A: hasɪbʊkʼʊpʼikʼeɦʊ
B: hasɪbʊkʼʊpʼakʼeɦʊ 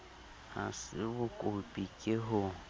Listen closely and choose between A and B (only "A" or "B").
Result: A